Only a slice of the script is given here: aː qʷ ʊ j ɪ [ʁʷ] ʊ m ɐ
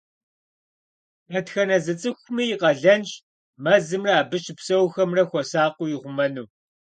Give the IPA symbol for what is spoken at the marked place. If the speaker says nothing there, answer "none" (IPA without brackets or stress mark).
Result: ʁʷ